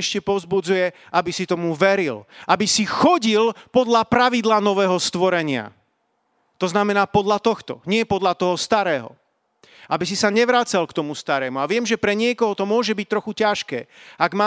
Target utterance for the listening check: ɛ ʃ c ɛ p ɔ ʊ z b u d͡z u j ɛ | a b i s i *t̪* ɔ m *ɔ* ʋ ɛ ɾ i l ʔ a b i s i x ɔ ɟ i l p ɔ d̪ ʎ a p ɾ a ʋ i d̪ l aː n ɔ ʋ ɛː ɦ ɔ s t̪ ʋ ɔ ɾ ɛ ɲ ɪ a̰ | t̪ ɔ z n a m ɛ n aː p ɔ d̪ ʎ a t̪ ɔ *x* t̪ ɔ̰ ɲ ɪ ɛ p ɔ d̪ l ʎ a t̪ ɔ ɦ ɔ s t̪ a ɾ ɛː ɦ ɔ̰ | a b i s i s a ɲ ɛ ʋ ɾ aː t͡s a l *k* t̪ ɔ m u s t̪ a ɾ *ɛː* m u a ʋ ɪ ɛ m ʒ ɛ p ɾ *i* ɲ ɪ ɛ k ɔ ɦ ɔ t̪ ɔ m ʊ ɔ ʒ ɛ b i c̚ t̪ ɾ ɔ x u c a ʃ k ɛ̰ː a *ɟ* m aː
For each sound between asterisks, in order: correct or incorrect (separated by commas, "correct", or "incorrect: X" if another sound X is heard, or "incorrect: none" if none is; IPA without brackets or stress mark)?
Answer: correct, incorrect: u, correct, correct, correct, incorrect: ɛ, incorrect: ɡ